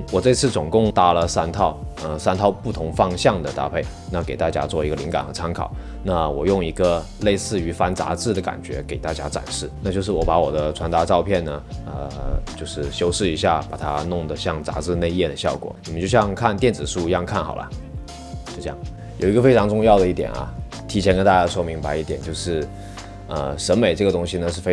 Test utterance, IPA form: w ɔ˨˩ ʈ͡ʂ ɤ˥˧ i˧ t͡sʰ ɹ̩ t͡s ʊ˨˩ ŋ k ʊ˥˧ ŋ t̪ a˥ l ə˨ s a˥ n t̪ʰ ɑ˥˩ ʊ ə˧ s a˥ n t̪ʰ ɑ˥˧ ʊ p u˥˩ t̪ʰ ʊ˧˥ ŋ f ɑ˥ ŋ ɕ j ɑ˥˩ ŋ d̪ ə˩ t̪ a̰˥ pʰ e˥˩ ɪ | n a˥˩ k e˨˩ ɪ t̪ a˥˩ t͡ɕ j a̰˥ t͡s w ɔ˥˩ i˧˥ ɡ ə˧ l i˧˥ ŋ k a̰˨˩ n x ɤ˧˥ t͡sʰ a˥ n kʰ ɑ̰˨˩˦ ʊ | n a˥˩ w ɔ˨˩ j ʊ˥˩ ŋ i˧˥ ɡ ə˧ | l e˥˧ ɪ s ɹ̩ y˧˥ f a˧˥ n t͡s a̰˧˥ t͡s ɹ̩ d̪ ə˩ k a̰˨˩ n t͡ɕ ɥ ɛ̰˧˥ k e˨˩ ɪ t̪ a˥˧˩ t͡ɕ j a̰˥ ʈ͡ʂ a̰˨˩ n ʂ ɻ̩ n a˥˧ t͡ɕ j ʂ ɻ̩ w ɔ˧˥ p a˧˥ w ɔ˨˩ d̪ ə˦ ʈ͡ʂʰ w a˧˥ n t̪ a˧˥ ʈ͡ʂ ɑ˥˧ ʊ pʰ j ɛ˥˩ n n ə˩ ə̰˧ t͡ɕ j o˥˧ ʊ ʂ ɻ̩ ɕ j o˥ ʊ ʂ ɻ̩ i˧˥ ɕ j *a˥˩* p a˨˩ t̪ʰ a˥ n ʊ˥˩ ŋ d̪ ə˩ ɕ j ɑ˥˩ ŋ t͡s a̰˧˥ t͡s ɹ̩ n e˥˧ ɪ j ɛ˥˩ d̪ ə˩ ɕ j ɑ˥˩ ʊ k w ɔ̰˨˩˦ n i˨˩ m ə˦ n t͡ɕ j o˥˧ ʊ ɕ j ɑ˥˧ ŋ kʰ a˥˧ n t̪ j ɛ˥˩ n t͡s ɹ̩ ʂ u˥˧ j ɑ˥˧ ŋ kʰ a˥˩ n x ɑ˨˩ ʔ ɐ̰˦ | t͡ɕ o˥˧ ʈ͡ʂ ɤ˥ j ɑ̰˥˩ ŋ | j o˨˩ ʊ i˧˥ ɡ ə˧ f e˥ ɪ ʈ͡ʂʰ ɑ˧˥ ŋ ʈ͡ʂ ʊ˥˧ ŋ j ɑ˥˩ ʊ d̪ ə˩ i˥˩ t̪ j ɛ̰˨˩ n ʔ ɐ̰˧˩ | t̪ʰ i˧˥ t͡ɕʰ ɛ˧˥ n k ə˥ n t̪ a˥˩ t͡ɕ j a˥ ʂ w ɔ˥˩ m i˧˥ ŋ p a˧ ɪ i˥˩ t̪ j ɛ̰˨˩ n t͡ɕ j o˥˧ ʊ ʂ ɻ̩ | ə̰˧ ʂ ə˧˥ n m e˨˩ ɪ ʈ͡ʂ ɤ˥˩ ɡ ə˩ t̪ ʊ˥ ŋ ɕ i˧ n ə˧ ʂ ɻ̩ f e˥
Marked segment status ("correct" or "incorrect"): correct